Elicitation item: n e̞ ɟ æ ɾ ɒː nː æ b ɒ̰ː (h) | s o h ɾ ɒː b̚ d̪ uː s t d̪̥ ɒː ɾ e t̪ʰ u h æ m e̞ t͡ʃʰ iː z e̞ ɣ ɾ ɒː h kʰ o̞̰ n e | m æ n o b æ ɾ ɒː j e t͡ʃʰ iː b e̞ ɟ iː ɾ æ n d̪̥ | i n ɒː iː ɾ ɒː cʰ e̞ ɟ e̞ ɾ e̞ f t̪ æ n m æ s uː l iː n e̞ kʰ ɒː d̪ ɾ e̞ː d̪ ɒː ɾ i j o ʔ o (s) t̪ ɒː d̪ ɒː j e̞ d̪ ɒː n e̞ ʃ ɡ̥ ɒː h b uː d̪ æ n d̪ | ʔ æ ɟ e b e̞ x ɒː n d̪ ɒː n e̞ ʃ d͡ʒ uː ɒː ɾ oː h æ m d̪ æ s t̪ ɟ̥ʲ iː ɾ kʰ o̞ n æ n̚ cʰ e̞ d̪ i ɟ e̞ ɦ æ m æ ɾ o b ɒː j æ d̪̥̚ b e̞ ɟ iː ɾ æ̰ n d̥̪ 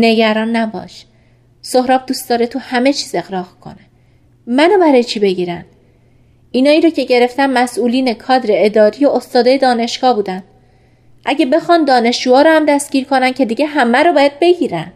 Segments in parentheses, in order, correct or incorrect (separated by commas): incorrect, correct